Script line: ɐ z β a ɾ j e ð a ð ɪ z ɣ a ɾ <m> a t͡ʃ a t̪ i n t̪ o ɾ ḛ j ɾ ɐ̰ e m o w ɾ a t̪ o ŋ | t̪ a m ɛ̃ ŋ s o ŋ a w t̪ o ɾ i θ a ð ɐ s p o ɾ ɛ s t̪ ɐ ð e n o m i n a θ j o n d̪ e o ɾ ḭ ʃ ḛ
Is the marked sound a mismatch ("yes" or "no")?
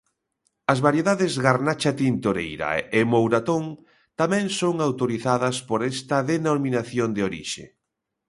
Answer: yes